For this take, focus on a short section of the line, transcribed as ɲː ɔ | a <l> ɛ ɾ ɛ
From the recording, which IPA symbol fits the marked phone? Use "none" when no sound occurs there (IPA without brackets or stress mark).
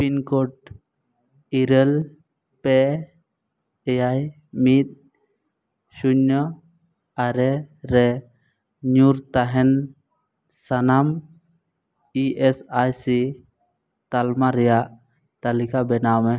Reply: ɾ